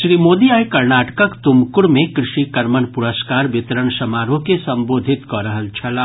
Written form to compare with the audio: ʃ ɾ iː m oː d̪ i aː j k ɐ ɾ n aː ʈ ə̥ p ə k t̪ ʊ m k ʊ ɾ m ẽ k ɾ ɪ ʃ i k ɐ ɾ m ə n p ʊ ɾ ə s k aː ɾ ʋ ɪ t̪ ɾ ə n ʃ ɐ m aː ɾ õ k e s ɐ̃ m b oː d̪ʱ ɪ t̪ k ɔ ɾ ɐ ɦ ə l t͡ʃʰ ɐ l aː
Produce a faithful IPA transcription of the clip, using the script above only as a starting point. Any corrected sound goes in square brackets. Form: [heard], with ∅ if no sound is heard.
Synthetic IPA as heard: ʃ ɾ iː m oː d̪ i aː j k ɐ ɾ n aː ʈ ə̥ [k] ə k t̪ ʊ m k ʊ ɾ m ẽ k ɾ ɪ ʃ i k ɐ ɾ m ə n p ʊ ɾ ə s k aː ɾ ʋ ɪ t̪ ɾ ə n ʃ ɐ m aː ɾ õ k e s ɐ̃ m b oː d̪ʱ ɪ t̪ k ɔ ɾ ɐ ɦ ə l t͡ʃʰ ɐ l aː